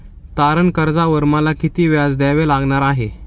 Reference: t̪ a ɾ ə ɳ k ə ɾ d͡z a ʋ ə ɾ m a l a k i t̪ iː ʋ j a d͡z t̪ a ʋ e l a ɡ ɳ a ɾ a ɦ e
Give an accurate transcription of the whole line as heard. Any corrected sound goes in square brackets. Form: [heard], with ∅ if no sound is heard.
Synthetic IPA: t̪ a ɾ ə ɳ k ə ɾ d͡z a ʋ ə ɾ m a l a k i t̪ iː ʋ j a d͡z [d̪] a ʋ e l a ɡ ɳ a ɾ a ɦ e